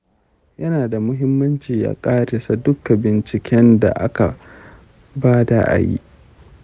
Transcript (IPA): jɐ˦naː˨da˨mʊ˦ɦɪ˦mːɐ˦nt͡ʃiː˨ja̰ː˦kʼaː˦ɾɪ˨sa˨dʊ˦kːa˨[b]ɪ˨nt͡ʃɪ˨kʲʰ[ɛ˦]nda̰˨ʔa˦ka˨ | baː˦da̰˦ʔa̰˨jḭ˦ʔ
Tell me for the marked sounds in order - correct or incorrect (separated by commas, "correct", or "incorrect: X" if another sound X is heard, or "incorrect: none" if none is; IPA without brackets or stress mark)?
correct, correct